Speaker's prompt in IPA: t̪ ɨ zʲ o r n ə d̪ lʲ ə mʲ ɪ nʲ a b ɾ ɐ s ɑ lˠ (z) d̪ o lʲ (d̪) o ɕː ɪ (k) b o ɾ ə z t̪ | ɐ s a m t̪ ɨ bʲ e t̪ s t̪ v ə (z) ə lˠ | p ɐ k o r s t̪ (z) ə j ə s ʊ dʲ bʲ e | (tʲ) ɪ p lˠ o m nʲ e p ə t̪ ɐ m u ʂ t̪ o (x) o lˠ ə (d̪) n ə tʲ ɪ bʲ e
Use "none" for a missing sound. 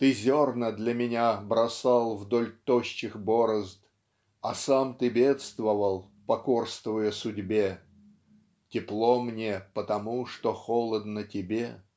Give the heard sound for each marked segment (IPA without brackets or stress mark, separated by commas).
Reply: v, t̪, x, v, v, tʲ, x, d̪